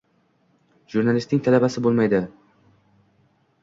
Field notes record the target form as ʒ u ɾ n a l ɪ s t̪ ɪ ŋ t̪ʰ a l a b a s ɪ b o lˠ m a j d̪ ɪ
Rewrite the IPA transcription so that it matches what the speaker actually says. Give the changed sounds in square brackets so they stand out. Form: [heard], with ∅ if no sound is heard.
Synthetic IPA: ʒ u ɾ n a l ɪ s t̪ ɪ ŋ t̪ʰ a l a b a s ɪ b o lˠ m a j d̪ ɪ

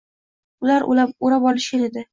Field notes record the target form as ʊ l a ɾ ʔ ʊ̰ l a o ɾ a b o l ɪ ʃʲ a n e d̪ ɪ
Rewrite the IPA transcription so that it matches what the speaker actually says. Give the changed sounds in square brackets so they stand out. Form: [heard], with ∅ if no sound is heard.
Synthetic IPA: ʊ l a ɾ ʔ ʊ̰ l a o ɾ a b [ɒ] l ɪ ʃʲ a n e d̪ ɪ

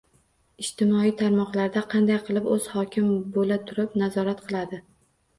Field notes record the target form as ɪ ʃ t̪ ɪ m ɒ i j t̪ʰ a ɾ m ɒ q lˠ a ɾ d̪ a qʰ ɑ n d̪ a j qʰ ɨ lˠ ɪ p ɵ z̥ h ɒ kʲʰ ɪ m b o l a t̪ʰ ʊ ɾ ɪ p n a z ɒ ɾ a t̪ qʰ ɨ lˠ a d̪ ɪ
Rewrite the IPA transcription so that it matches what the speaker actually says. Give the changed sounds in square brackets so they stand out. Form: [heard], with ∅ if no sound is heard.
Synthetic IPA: ɪ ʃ t̪ ɪ m ɒ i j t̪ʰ a ɾ m ɒ q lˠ a ɾ d̪ a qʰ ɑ n d̪ a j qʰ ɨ lˠ ɪ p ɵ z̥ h ɒ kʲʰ ɪ m b o l a t̪ʰ ʊ ɾ ɪ p n a z ɒ ɾ a t̪ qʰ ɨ lˠ a d̪ ɪ

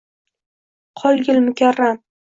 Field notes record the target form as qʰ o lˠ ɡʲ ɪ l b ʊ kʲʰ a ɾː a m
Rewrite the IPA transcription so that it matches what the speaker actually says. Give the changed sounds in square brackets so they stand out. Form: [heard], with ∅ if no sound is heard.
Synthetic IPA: qʰ [ɒ] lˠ ɡʲ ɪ l [m] ʊ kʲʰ a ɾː a m

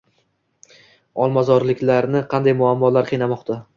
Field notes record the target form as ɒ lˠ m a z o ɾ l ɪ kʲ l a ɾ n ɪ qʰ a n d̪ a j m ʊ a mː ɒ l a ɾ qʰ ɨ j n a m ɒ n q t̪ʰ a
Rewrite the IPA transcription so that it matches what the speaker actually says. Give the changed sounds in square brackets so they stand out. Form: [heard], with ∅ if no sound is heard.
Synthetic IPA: ɒ lˠ m a z [ɒ] ɾ l ɪ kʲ l a ɾ n ɪ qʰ [ɑ] n d̪ a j m ʊ a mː ɒ l a ɾ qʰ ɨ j n a m ɒ [∅] q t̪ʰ a

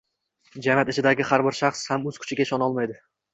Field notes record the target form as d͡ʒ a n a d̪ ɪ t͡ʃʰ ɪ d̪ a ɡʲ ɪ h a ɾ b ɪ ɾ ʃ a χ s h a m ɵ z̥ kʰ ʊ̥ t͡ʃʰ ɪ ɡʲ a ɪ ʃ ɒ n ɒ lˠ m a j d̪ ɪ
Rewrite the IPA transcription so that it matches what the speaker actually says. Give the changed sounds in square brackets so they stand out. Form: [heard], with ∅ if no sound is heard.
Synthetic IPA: d͡ʒ a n a [t̪] ɪ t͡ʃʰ ɪ d̪ a ɡʲ ɪ h a ɾ b ɪ ɾ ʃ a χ s h a m ɵ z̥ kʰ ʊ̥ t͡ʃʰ ɪ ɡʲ a ɪ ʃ ɒ n ɒ lˠ m a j d̪ ɪ

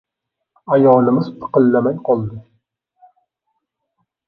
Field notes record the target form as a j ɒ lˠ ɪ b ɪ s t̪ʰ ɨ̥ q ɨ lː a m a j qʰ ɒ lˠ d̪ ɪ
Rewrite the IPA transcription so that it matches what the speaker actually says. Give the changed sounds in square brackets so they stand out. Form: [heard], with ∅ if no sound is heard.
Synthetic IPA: a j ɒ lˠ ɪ [m] ɪ [z] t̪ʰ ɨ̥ q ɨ lː a m a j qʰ ɒ lˠ d̪ ɪ

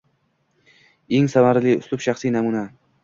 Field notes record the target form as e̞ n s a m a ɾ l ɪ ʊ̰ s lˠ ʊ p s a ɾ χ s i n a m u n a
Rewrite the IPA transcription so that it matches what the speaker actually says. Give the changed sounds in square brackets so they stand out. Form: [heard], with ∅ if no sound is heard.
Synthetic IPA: e̞ [ŋ] s a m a ɾ l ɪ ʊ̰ s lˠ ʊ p [ʃ] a [∅] χ s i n a m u n a

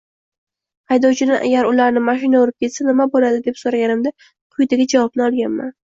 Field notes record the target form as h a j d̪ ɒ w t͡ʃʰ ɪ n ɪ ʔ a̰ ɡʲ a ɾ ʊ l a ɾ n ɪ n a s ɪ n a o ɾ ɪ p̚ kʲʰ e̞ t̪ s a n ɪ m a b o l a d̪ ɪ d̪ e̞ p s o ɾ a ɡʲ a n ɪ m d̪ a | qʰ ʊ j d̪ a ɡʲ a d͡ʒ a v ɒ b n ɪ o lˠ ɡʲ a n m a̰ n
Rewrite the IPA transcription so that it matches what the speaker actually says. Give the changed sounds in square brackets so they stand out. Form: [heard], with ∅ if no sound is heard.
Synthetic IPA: h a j d̪ ɒ w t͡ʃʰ ɪ n ɪ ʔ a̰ ɡʲ a ɾ ʊ l a ɾ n ɪ [m] a [ʃ] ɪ n a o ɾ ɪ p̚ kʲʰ e̞ t̪ s a n ɪ m a b o l a d̪ ɪ d̪ e̞ p s o ɾ a ɡʲ a n ɪ m d̪ a | qʰ ʊ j d̪ a ɡʲ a d͡ʒ a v ɒ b n ɪ [ɒ] lˠ ɡʲ a n m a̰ n

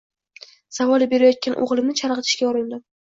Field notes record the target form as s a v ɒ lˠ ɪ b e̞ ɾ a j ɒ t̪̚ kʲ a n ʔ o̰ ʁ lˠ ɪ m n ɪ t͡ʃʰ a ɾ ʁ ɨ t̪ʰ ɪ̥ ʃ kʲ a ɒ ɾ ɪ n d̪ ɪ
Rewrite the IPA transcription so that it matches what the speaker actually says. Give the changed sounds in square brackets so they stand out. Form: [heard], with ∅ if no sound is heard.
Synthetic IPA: s a v ɒ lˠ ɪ b e̞ ɾ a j ɒ t̪̚ kʲ a n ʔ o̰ ʁ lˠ ɪ m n ɪ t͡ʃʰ a ɾ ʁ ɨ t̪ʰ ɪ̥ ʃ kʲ a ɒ ɾ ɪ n d̪ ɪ

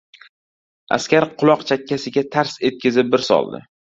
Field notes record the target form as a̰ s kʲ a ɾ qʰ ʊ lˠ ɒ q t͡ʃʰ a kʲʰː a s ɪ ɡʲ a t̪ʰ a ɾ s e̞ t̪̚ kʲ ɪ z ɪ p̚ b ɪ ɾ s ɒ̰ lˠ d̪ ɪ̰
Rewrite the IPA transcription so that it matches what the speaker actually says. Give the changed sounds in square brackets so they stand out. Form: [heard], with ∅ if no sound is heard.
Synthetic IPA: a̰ s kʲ a ɾ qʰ ʊ lˠ ɒ q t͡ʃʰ a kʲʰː a s ɪ ɡʲ a t̪ʰ a ɾ s e̞ t̪̚ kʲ ɪ z ɪ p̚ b ɪ ɾ s ɒ̰ lˠ d̪ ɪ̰

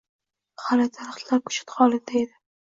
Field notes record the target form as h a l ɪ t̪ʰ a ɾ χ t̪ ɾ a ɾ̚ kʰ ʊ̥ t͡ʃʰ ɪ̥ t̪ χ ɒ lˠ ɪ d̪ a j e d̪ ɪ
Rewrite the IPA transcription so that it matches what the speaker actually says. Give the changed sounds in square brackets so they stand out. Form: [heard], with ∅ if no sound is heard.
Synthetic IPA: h a l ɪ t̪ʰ a ɾ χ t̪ [l] a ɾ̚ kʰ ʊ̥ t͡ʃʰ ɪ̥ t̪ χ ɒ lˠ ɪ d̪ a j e d̪ ɪ

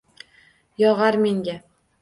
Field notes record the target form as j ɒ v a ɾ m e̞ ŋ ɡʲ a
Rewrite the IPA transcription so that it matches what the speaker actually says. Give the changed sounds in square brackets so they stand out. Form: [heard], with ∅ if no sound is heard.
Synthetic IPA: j ɒ [ʁ] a ɾ m e̞ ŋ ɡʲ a

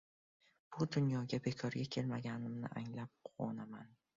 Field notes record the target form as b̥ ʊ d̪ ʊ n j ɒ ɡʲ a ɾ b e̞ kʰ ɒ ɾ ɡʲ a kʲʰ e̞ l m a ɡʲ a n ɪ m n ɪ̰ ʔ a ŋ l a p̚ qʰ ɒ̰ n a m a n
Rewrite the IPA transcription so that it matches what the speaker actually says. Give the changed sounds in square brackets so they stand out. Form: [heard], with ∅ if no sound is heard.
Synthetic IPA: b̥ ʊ d̪ ʊ n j ɒ ɡʲ a [∅] b e̞ kʰ ɒ ɾ ɡʲ a kʲʰ e̞ l m a ɡʲ a n ɪ m n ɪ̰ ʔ a ŋ l a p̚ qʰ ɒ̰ n a m a n

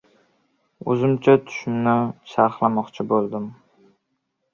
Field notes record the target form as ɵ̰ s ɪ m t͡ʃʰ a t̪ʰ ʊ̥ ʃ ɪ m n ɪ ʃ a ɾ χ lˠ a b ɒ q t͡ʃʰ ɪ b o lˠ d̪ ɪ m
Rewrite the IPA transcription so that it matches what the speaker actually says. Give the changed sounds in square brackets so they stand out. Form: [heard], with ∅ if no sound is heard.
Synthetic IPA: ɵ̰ [z] ɪ m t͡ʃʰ a t̪ʰ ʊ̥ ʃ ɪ m n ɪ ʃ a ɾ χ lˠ a [m] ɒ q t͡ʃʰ ɪ b o lˠ d̪ ɪ m

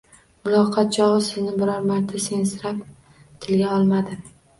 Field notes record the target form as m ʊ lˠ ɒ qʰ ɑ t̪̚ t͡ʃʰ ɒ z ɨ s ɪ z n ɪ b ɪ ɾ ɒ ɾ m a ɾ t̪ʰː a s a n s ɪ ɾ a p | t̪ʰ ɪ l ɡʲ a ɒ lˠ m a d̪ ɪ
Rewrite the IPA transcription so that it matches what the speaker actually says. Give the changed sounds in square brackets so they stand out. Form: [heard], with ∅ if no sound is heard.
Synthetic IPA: m ʊ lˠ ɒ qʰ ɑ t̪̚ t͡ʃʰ ɒ [ʁ] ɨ s ɪ z n ɪ b ɪ ɾ ɒ ɾ m a ɾ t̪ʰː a s [e] n s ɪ ɾ a p | t̪ʰ ɪ l ɡʲ a ɒ lˠ m a d̪ ɪ

